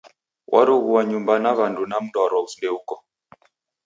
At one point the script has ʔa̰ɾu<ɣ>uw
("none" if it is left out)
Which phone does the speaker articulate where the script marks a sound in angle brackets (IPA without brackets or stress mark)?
ɣ